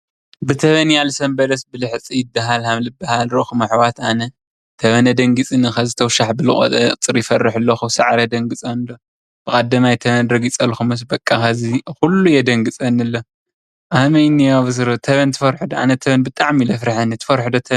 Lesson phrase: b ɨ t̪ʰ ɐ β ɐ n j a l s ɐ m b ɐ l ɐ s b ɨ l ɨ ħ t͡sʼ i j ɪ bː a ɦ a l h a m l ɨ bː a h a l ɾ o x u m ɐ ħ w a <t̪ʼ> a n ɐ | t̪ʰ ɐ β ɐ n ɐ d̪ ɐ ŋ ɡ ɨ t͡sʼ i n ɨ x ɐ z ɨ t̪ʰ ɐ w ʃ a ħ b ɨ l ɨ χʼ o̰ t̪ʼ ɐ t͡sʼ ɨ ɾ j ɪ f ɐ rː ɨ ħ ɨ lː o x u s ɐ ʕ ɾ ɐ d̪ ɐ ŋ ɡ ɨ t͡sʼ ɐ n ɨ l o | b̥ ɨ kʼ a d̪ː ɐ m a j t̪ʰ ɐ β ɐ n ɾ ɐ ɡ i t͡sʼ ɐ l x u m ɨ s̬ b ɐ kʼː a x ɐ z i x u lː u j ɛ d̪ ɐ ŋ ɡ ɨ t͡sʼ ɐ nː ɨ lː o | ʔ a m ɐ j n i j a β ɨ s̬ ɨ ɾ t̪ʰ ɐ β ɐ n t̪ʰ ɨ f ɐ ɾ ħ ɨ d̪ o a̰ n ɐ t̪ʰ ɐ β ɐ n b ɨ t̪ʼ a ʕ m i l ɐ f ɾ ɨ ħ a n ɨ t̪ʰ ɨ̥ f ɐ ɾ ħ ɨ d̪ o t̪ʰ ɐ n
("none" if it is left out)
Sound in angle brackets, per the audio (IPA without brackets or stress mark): t̪